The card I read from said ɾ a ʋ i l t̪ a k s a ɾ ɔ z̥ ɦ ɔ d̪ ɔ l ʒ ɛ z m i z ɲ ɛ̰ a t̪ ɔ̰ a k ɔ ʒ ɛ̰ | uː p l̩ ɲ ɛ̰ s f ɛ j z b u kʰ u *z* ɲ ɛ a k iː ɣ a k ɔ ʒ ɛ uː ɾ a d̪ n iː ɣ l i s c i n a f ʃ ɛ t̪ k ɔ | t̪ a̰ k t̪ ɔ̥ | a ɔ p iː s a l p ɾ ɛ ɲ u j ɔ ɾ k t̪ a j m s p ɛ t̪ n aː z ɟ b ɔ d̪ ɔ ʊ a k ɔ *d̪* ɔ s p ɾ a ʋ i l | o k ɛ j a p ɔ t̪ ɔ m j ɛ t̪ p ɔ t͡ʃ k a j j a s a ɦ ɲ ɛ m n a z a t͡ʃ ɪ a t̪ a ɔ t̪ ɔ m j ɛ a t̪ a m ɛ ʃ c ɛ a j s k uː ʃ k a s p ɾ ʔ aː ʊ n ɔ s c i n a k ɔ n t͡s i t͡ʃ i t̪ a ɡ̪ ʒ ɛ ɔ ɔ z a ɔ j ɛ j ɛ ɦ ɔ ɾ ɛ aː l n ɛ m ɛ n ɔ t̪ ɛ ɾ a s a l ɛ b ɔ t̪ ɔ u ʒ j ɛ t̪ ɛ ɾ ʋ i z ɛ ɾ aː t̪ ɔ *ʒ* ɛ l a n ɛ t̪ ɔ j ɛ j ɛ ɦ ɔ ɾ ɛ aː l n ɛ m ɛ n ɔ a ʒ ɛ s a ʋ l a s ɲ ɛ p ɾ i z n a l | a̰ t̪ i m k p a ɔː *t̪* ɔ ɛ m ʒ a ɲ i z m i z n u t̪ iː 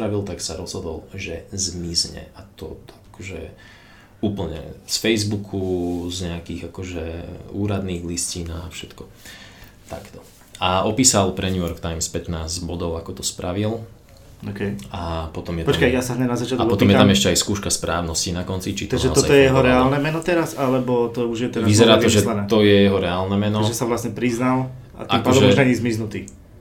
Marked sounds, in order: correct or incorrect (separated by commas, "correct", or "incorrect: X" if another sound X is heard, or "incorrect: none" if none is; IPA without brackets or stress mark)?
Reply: correct, incorrect: t̪, correct, incorrect: d̪